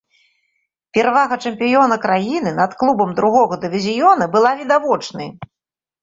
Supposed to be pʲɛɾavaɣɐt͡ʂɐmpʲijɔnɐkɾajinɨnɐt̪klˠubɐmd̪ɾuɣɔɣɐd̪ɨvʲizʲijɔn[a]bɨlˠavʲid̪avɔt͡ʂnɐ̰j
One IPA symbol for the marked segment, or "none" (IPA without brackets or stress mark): ɐ